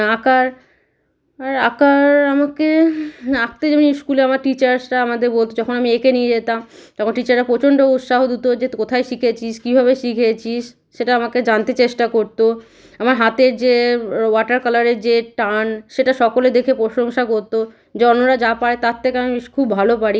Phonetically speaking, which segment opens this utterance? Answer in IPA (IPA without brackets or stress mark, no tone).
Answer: a